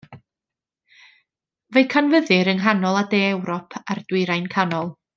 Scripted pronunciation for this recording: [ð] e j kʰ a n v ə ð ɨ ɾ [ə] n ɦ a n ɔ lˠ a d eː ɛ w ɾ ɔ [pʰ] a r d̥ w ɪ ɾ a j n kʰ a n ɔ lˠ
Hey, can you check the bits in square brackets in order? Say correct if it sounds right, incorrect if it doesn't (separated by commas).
incorrect, correct, correct